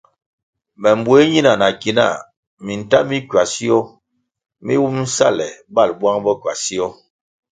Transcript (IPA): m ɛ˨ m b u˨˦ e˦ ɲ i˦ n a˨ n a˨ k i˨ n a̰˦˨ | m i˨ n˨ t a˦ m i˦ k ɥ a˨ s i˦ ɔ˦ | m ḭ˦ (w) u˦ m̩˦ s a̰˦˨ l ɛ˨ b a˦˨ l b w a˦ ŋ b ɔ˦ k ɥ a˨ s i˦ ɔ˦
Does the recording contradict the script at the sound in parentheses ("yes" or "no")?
no